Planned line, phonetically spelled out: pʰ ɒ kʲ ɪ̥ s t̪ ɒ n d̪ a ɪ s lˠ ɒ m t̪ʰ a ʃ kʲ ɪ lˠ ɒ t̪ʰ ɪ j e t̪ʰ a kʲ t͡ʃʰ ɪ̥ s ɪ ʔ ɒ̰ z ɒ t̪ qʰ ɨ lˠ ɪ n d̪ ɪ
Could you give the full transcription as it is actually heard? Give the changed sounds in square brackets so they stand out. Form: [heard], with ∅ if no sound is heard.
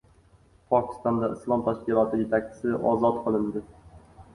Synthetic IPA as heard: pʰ ɒ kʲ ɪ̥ s t̪ ɒ n d̪ a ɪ s lˠ ɒ m t̪ʰ a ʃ kʲ ɪ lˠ ɒ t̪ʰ ɪ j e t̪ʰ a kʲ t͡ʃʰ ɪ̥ s ɪ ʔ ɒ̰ z ɒ t̪ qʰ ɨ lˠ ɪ n d̪ ɪ